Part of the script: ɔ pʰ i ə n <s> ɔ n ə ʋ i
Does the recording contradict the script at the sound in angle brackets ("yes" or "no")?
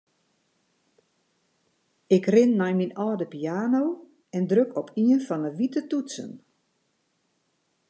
yes